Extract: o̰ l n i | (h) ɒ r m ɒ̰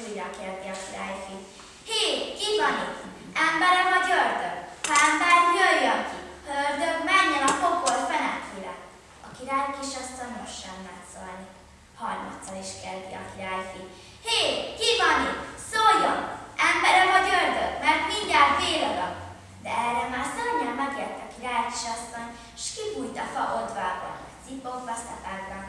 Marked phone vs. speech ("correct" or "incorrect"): correct